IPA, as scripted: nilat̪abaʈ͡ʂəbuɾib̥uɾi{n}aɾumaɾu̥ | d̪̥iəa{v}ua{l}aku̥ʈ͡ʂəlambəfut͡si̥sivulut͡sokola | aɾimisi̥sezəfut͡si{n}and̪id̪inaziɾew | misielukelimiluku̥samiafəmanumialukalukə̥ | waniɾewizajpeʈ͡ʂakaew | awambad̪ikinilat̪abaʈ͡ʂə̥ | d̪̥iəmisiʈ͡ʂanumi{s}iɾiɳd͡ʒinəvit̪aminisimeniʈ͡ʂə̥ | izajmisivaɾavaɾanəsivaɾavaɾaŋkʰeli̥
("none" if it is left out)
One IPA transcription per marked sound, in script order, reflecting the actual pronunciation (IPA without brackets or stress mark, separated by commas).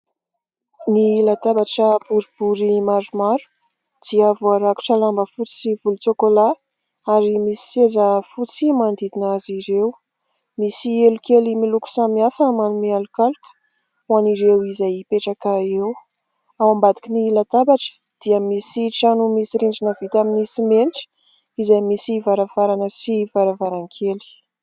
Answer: m, v, ɾ, m, s